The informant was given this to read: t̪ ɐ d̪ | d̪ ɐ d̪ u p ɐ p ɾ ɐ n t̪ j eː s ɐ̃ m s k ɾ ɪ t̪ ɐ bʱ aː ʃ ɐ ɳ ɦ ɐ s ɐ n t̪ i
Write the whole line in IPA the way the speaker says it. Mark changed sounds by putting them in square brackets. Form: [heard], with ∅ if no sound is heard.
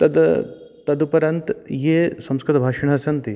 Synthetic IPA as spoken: t̪ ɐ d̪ | [t̪] ɐ d̪ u p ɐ [∅] ɾ ɐ n t̪ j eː s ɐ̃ m s k ɾ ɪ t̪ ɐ bʱ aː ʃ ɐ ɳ ɦ ɐ s ɐ n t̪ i